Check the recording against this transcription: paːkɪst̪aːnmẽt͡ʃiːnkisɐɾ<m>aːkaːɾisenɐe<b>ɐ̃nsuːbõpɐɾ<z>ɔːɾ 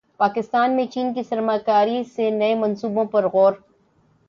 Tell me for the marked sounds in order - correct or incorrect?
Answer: correct, incorrect: m, incorrect: ɣ

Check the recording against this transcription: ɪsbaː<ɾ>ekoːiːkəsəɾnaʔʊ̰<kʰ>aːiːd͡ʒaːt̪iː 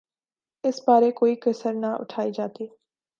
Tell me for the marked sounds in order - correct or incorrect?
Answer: correct, incorrect: ʈʰ

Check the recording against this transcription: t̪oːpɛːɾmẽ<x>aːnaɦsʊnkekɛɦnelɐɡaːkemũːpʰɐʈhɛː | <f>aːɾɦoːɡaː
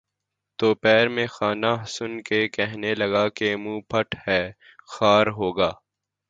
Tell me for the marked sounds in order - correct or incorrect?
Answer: correct, incorrect: x

